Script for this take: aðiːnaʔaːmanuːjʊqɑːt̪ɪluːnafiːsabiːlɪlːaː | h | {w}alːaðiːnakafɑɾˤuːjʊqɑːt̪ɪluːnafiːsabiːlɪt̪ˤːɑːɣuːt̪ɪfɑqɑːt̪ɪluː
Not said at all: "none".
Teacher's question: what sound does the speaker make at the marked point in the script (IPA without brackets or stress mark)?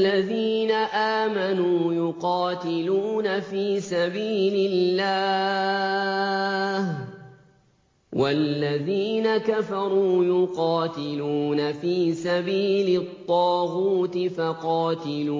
w